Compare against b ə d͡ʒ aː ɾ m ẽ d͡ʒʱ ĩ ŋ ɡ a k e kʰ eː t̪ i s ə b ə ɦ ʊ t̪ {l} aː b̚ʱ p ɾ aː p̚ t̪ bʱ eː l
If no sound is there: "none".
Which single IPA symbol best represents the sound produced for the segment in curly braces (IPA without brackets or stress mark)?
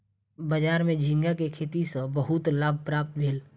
l